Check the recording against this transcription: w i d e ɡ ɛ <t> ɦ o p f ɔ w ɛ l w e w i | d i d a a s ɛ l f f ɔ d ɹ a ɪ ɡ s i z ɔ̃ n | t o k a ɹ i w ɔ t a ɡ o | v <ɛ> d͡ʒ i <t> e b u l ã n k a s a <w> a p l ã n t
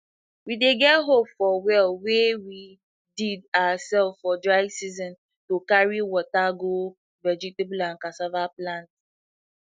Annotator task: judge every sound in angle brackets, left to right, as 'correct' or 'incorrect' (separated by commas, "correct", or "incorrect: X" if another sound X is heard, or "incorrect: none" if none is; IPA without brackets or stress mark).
correct, correct, correct, incorrect: v